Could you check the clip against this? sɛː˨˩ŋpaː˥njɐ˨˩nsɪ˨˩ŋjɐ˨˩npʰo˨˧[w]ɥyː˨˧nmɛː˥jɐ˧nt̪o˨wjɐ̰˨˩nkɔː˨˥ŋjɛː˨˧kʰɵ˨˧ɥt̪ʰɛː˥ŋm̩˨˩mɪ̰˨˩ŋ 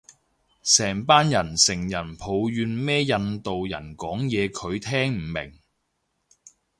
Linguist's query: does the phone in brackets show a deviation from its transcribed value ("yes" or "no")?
no